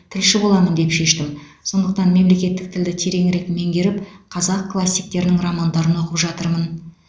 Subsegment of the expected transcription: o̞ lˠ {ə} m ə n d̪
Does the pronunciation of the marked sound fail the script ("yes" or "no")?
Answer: yes